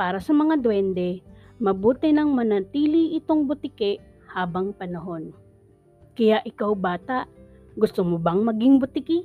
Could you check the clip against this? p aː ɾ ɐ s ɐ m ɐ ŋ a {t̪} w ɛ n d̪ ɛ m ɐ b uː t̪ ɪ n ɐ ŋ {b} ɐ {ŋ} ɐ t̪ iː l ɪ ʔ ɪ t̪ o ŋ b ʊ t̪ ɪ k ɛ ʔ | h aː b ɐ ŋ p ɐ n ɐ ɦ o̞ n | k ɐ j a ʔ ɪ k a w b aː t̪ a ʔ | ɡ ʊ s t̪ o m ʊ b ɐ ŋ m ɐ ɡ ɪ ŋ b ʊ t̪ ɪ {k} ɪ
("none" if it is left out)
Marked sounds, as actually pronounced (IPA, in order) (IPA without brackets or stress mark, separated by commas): d̪, m, n, k